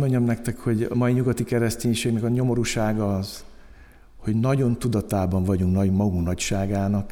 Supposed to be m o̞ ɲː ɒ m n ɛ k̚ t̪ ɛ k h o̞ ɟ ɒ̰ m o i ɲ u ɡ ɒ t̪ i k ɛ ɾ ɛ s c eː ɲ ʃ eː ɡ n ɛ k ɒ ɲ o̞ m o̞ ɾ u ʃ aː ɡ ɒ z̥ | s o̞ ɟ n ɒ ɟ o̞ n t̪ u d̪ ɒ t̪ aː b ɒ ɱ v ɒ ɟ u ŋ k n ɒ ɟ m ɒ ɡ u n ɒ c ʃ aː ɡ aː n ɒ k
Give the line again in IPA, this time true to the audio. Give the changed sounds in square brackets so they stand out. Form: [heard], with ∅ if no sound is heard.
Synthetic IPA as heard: m o̞ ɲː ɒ m n ɛ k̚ t̪ ɛ k h o̞ ɟ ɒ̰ m [ɒ] i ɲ u ɡ ɒ t̪ i k ɛ ɾ ɛ s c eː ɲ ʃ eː ɡ n ɛ k ɒ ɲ o̞ m o̞ ɾ u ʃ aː ɡ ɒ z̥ | [h] o̞ ɟ n ɒ ɟ o̞ n t̪ u d̪ ɒ t̪ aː b ɒ ɱ v ɒ ɟ u ŋ k n ɒ ɟ m ɒ ɡ u n ɒ c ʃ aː ɡ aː n ɒ k